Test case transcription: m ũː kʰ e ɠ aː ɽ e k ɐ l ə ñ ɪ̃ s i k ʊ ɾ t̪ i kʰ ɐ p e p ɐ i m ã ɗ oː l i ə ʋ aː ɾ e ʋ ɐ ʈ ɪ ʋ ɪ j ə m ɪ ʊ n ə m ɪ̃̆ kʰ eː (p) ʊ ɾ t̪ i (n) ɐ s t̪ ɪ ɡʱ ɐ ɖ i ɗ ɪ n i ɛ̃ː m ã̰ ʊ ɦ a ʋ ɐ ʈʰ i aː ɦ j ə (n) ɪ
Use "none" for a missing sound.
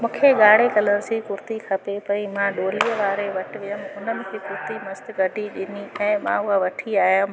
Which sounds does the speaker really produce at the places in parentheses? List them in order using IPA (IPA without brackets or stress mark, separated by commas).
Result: k, m, m